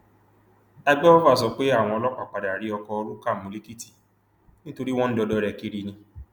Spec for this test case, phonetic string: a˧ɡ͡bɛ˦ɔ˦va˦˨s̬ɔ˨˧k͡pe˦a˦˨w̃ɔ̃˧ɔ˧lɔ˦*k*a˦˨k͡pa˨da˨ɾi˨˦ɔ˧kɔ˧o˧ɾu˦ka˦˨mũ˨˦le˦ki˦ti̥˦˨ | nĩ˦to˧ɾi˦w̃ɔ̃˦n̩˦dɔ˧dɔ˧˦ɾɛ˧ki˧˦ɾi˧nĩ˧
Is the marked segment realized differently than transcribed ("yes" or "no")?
yes